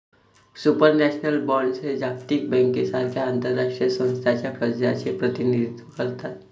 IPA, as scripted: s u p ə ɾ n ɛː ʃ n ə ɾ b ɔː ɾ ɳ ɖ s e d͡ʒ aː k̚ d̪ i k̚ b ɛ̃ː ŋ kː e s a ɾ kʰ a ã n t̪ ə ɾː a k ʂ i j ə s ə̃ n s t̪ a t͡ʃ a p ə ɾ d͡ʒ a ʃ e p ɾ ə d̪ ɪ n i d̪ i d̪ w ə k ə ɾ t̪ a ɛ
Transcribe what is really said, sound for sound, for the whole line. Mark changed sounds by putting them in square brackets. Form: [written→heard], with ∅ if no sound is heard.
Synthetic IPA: s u p ə ɾ n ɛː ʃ n ə [ɾ→l] b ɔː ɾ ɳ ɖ s e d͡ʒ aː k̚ [d̪→t̪] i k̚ b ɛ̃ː ŋ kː e s a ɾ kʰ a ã n t̪ ə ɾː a k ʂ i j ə s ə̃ n s [t̪→t̪ʰ] a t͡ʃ a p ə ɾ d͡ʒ a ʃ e p ɾ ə [d̪→t̪] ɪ n i d̪ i [d̪→t̪] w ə k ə ɾ t̪ a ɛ